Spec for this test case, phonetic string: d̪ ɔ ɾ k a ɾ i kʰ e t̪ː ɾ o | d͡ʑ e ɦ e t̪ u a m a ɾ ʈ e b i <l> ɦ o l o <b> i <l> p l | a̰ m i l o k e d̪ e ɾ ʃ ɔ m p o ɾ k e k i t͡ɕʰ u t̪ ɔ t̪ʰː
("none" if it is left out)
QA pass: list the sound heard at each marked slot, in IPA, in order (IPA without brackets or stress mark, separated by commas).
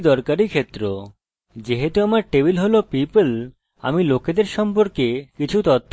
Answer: l, p, none